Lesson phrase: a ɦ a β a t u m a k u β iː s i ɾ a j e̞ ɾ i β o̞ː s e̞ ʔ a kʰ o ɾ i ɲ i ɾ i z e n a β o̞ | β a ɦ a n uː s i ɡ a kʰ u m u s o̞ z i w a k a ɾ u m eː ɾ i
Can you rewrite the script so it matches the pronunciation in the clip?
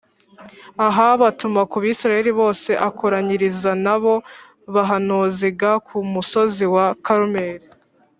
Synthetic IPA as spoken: a ɦ a β a t u m a k u β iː s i ɾ a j e̞ ɾ i β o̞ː s e̞ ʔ a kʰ o ɾ a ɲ i ɾ i z a n a β o̞ | β a ɦ a n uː z i ɡ a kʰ u m u s o̞ z i w a k a ɾ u m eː ɾ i